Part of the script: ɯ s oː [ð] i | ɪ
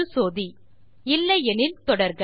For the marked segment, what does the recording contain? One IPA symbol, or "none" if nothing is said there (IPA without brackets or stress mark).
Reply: ð